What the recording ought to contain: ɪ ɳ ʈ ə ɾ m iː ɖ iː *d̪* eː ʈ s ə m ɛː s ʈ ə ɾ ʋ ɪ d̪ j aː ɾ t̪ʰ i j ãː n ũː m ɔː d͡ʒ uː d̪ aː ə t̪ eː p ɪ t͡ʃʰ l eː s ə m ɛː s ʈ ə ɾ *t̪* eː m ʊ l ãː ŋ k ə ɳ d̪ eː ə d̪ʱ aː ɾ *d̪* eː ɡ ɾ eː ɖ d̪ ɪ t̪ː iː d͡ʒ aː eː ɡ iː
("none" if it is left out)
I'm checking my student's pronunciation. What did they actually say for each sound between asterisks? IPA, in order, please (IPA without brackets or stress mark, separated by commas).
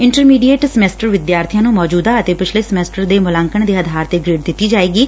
none, d̪, t̪